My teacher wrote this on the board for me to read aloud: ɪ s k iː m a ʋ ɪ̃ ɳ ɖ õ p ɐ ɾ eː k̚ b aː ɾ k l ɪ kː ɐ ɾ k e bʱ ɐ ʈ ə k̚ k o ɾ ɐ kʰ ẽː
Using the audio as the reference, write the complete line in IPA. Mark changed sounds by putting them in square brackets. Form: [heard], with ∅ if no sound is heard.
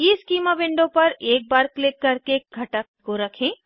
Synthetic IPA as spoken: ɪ s k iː m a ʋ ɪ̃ ɳ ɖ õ p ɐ ɾ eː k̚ b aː ɾ k l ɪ kː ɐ ɾ k e [ɡʱ] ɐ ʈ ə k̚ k o ɾ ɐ kʰ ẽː